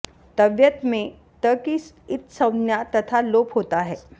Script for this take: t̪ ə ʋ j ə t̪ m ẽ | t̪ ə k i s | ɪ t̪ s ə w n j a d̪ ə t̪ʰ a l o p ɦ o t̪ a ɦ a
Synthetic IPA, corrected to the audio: t̪ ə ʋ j ə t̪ m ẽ | t̪ ə k i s | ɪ t̪ s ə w n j a t̪ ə t̪ʰ a l o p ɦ o t̪ a ɦ ɛ